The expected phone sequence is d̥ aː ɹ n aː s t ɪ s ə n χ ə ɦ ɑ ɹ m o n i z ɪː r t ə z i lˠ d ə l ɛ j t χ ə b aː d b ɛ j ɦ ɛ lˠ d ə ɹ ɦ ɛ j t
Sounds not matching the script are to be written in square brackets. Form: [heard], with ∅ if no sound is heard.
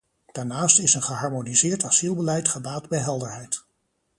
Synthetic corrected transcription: d̥ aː ɹ n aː s t ɪ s ə n χ ə ɦ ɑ ɹ m o n i z ɪː [ɹ] t [ɑ] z i lˠ [b] ə l ɛ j t χ ə b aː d b ɛ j ɦ ɛ lˠ d ə ɹ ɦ ɛ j t